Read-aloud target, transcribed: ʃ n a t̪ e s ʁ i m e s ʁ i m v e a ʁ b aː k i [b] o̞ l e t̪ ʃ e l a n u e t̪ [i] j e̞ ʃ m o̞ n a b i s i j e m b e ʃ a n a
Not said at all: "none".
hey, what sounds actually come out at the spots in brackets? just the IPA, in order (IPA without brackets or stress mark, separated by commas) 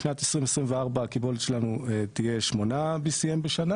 b, i